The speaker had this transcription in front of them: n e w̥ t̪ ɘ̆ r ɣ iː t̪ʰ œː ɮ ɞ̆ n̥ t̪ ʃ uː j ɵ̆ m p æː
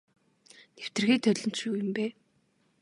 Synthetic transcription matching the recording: n e w̥ t̪ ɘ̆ r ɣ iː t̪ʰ œ ɮ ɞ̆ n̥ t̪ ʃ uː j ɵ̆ m p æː